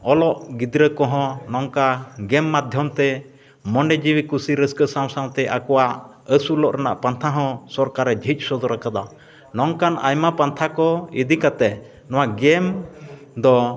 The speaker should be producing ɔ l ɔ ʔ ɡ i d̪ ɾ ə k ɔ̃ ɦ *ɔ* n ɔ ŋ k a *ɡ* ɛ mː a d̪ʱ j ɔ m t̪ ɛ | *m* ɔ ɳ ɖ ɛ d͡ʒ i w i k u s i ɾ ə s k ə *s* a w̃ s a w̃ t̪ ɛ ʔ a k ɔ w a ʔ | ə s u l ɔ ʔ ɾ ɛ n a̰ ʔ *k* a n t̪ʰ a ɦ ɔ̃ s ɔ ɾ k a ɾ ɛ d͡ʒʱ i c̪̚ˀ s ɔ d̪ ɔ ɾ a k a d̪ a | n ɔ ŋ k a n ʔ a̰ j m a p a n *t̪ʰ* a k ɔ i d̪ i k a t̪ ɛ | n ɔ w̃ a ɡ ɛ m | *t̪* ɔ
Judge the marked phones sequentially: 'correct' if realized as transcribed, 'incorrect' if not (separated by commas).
incorrect, correct, correct, correct, incorrect, correct, incorrect